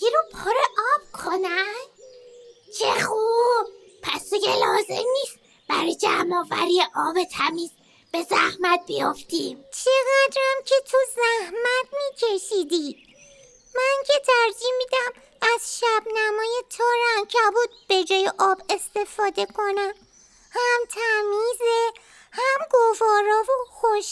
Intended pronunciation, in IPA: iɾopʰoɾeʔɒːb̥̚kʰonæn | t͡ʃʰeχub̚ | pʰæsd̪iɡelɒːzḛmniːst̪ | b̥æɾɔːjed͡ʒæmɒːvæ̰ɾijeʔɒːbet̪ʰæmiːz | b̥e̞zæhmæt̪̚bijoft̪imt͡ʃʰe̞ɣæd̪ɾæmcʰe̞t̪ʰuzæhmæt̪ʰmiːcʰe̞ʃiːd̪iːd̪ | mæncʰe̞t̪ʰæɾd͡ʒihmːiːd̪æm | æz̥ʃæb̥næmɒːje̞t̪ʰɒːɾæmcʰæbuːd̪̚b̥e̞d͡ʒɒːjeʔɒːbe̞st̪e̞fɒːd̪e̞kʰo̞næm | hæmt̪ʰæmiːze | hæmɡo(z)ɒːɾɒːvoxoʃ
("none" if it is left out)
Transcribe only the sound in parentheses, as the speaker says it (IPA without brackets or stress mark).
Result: v